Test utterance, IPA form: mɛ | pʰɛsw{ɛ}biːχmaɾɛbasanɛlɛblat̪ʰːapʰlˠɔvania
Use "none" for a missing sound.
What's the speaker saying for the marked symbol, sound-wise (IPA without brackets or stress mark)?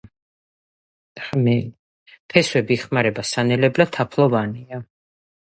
ɛ